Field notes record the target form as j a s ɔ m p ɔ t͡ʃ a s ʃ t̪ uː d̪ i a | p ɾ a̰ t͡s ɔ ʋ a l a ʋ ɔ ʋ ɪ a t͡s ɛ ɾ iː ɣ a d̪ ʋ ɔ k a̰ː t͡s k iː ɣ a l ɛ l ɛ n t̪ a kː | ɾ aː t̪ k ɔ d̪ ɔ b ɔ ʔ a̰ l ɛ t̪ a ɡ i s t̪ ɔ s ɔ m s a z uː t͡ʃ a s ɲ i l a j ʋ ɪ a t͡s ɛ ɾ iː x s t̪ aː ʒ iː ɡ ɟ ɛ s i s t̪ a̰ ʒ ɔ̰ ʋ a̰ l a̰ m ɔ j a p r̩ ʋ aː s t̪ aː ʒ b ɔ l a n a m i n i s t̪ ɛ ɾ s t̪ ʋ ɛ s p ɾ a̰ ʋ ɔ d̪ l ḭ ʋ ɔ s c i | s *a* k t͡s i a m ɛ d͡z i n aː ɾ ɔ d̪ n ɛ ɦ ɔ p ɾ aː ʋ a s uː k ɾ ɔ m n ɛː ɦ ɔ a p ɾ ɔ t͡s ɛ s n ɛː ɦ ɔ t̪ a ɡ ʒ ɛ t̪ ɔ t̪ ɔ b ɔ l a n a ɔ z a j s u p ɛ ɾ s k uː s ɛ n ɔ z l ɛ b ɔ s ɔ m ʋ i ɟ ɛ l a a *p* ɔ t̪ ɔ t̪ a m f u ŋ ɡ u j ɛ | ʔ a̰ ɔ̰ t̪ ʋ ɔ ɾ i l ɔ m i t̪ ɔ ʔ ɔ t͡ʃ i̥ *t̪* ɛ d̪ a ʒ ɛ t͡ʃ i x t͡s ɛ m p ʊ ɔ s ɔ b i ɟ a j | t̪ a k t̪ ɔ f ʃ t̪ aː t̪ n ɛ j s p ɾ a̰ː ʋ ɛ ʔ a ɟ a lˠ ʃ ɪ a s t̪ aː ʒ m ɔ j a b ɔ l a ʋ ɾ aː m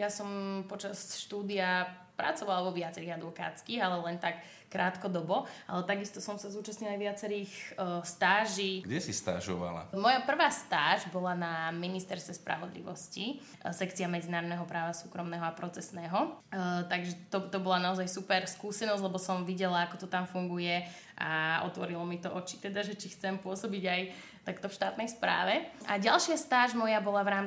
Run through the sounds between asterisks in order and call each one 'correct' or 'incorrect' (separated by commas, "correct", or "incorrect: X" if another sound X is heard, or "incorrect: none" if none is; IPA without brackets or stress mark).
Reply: incorrect: ɛ, incorrect: k, correct